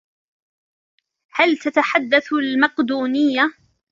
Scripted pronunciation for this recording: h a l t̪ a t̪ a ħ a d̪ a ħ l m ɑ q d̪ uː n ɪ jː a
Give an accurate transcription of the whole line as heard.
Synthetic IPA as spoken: h a l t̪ a t̪ a ħ a d̪ː a θ l m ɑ q d̪ uː n ɪ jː a